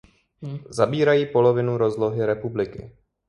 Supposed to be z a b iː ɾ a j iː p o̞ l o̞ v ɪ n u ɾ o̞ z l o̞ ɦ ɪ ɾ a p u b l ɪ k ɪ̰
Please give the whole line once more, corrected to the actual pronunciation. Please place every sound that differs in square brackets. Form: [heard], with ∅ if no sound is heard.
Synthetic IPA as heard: z a b iː ɾ a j iː p o̞ l o̞ v ɪ n u ɾ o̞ z l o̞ ɦ ɪ ɾ [ɛ] p u b l ɪ k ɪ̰